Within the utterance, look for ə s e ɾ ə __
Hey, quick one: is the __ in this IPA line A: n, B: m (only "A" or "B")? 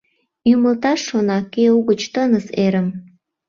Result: B